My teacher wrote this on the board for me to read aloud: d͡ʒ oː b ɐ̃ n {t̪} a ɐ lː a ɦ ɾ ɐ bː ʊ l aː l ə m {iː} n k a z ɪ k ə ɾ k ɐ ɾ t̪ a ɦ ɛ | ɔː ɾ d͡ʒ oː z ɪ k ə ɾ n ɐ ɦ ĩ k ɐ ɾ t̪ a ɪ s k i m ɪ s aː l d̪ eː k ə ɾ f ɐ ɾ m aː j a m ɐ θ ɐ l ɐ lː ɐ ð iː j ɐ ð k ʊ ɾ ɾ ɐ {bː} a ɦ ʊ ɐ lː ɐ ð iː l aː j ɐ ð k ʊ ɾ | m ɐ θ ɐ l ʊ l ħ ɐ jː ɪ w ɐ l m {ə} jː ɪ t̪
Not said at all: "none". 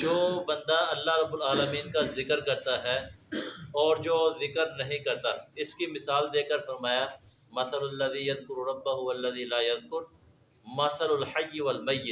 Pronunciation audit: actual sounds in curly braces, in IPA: d̪, iː, bː, ɐ

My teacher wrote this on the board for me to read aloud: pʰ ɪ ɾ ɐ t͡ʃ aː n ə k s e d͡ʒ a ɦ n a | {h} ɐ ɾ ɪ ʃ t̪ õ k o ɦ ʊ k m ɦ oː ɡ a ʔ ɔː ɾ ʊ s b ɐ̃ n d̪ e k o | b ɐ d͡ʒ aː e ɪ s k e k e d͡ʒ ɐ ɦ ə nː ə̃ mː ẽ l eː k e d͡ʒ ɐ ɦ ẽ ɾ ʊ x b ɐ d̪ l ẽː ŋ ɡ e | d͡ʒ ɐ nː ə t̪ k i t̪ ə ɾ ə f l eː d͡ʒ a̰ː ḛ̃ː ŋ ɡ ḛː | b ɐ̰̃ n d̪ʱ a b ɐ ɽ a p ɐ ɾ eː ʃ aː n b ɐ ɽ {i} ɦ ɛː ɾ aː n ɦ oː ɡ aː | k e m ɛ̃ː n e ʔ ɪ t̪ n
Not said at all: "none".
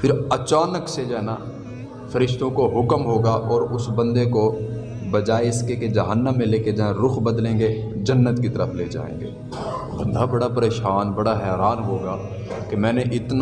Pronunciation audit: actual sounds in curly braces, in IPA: f, a

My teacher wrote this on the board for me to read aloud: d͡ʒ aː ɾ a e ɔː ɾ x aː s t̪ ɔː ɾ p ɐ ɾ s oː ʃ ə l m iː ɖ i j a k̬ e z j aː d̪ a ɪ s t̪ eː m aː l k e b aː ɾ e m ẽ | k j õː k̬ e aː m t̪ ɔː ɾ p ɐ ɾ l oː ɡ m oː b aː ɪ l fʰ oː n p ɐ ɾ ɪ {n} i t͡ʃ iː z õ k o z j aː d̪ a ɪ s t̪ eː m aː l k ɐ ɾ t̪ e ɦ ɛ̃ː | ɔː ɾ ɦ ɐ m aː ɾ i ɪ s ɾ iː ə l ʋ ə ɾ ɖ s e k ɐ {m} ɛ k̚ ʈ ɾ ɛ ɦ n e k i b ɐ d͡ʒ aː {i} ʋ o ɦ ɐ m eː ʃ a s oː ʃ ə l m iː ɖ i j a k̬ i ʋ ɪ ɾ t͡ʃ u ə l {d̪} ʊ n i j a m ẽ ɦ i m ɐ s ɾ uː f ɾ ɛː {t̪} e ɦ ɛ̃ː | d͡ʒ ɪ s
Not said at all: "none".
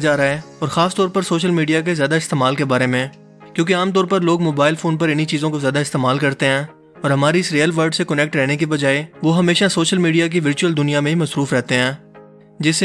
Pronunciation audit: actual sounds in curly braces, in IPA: n, n, e, d̪, t̪

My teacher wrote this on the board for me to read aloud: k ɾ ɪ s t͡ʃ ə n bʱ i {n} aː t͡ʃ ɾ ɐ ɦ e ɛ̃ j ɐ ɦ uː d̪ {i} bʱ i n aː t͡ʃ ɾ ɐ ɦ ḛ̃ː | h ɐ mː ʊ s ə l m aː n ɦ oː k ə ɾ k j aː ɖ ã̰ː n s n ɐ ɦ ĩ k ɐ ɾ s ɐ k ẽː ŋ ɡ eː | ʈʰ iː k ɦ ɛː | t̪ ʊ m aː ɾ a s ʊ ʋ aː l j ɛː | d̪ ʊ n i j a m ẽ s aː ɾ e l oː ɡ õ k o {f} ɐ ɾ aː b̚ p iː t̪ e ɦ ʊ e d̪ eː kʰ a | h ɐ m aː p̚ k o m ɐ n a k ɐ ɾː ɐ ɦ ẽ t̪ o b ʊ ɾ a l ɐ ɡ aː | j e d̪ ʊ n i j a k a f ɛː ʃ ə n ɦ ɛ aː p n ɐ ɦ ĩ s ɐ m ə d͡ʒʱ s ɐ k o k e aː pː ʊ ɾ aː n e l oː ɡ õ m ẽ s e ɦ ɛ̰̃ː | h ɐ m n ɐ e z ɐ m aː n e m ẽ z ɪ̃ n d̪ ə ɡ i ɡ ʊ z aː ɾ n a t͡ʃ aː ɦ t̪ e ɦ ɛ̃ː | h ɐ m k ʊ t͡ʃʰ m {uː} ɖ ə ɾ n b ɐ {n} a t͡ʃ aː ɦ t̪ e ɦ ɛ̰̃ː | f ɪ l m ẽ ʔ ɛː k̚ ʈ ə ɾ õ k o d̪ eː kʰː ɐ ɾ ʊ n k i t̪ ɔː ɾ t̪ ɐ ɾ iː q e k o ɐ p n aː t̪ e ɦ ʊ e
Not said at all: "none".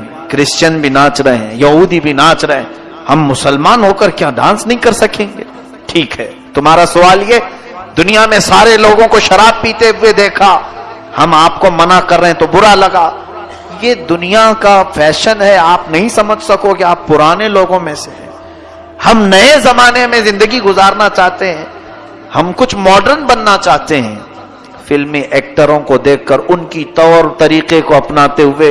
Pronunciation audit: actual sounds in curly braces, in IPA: n, i, ʃ, ɔː, nː

